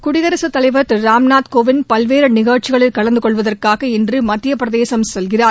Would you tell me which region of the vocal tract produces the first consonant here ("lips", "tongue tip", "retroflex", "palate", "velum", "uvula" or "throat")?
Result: velum